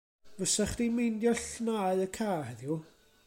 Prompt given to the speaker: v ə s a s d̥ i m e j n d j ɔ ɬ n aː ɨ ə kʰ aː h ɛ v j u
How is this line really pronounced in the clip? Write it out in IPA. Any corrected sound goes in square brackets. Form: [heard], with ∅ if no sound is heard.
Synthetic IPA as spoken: v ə s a [χ] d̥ i m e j n d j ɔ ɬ n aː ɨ ə kʰ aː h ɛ [ð] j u